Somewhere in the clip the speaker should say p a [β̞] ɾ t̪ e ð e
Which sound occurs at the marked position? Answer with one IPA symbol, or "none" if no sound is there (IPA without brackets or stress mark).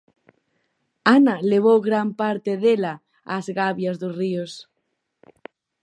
none